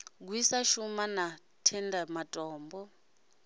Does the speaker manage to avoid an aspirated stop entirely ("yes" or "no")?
no